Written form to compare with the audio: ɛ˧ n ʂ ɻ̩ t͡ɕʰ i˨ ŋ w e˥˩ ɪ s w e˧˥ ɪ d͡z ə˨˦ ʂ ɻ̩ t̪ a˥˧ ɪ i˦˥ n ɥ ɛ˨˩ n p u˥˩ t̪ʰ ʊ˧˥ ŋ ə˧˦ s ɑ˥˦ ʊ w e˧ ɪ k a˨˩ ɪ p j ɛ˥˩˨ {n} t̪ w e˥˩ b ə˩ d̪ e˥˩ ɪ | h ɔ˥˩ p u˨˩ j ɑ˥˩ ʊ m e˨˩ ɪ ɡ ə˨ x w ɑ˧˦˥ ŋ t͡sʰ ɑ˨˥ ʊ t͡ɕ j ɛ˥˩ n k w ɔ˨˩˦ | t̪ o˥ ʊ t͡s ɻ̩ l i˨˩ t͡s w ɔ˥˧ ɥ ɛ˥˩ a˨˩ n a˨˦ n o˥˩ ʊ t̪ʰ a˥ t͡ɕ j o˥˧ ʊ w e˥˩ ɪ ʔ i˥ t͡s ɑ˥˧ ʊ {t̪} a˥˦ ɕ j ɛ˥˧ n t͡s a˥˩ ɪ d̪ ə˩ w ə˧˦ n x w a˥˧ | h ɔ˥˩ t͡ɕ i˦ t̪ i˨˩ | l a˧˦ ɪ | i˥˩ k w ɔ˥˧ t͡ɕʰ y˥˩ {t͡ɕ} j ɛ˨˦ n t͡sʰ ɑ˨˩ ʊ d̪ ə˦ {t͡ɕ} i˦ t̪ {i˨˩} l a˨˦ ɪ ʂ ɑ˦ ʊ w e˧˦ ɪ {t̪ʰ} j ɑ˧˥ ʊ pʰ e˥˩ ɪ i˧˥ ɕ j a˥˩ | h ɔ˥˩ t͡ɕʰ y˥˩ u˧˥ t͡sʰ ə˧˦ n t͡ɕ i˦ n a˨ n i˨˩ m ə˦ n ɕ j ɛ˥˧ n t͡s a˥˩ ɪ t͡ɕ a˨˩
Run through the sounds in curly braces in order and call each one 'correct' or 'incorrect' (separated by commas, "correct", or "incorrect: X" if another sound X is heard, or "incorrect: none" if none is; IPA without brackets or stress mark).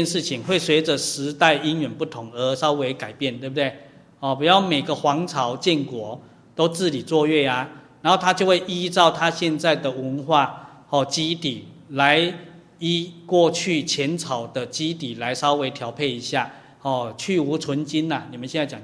correct, incorrect: t̪ʰ, incorrect: t͡ɕʰ, correct, correct, correct